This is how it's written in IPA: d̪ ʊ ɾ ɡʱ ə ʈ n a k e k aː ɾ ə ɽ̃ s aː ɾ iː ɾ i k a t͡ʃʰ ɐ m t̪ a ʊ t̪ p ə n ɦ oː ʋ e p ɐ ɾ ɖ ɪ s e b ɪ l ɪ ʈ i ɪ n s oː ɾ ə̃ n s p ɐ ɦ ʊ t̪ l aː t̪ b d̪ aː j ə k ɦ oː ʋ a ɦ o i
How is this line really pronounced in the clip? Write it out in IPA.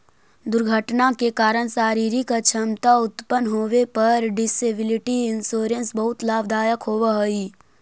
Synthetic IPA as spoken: d̪ ʊ ɾ ɡʱ ə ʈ n a k e k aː ɾ ə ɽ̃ s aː ɾ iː ɾ i k a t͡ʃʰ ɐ m t̪ a ʊ t̪ p ə n ɦ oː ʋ e p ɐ ɾ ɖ ɪ s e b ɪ l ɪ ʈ i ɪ n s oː ɾ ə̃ n s b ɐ ɦ ʊ t̪ l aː b d̪ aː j ə k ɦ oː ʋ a ɦ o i

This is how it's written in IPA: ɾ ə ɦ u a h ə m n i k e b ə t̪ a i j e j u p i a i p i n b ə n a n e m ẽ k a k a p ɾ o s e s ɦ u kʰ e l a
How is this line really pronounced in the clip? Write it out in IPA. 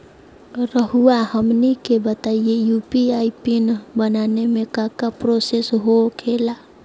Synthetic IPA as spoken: ɾ ə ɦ u a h ə m n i k e b ə t̪ a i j e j u p i a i p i n b ə n a n e m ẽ k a k a p ɾ o s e s ɦ o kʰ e l a

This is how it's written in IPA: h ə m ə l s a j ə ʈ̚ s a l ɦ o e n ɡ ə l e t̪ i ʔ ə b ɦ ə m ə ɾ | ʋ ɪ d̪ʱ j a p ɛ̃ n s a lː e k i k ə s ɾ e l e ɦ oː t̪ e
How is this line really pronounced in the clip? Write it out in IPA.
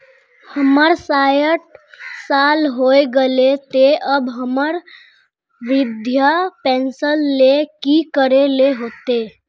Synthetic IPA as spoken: h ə m ə ɾ s a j ə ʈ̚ s a l ɦ o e ɡ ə l e t̪ e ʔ ə b ɦ ə m ə ɾ | ʋ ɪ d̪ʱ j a p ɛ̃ n s ə lː e k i k ə ɾ e l e ɦ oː t̪ e

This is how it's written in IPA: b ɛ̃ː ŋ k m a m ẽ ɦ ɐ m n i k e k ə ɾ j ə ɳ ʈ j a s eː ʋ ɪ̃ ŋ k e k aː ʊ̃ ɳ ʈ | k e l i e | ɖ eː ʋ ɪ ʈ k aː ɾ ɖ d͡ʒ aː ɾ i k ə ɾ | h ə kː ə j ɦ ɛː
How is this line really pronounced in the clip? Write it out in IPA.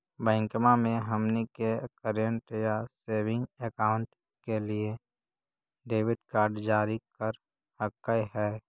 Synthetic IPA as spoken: b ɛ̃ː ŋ k m a m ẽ ɦ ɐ m n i k e k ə ɾ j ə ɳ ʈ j a s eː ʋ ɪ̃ ŋ ɡ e k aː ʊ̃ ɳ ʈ | k e l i e | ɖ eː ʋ ɪ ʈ k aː ɾ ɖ d͡ʒ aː ɾ i k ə ɾ | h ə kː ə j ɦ ɛː

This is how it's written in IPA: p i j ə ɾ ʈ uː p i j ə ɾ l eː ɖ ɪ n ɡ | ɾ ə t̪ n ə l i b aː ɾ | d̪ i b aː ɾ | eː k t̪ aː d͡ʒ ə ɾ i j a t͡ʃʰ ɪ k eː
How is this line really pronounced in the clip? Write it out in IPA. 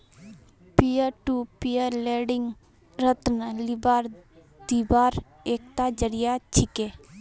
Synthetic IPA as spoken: p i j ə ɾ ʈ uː p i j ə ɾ l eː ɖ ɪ ŋ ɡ | ɾ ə t̪ n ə l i b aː ɾ | d̪ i b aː ɾ | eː k t̪ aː d͡ʒ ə ɾ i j a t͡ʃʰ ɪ k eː

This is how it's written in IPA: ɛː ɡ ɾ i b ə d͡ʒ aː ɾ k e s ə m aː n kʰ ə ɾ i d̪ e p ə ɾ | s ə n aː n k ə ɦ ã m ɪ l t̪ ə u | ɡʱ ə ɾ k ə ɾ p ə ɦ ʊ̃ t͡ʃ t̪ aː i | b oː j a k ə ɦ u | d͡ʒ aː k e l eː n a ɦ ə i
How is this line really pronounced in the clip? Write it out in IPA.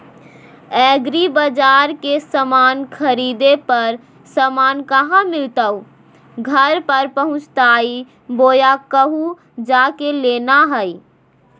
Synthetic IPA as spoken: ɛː ɡ ɾ i b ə d͡ʒ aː ɾ k e s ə m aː n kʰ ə ɾ i d̪ e p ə ɾ | s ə m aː n k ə ɦ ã m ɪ l t̪ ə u | ɡʱ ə ɾ p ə ɾ p ə ɦ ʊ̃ t͡ʃ t̪ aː i | b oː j a k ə ɦ u | d͡ʒ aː k e l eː n a ɦ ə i

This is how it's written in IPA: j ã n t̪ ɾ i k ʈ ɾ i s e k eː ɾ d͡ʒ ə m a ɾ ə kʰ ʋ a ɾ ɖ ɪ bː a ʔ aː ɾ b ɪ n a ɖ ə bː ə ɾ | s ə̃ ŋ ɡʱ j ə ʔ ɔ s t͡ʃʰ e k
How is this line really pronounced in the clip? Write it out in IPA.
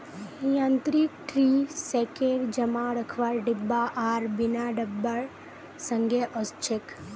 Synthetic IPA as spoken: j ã n t̪ ɾ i k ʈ ɾ i s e k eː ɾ d͡ʒ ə m a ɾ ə kʰ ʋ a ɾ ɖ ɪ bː a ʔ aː ɾ b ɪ n a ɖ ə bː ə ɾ | s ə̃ ŋ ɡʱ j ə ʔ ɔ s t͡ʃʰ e k

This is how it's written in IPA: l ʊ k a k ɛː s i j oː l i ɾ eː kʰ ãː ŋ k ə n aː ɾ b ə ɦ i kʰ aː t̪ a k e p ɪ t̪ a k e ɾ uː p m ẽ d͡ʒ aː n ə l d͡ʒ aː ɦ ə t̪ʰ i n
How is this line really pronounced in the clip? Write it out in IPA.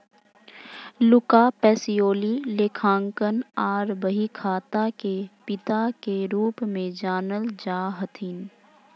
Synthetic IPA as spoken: l ʊ k a p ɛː s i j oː l i l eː kʰ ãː ŋ k ə n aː ɾ b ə ɦ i kʰ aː t̪ a k e p ɪ t̪ a k e ɾ uː p m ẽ d͡ʒ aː n ə l d͡ʒ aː ɦ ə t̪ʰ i n

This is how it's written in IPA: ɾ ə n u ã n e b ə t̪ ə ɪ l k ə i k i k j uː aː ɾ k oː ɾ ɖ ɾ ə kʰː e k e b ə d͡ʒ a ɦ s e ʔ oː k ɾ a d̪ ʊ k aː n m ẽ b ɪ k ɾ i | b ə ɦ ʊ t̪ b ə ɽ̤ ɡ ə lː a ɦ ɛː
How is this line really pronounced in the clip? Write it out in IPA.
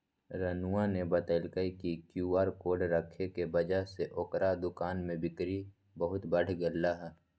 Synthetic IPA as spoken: ɾ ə n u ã n e b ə t̪ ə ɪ l k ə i k i k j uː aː ɾ k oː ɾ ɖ ɾ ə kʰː e k e b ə d͡ʒ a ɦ s e ʔ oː k ɾ a d̪ ʊ k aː n m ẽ b ɪ k ɾ i | b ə ɦ ʊ t̪ b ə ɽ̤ ɡ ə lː a ɦ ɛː

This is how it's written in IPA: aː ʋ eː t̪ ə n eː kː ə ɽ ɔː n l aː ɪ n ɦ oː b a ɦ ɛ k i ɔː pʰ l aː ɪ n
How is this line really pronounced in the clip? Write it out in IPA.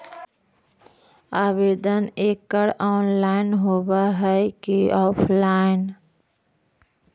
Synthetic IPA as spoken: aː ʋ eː d̪ ə n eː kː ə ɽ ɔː n l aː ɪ n ɦ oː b a ɦ ɛ k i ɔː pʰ l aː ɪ n

